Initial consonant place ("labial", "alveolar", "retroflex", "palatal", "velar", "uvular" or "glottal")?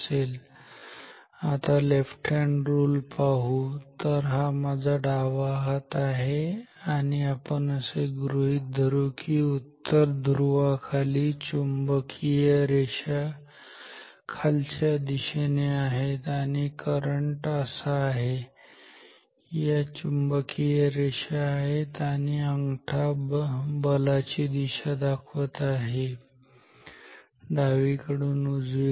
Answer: alveolar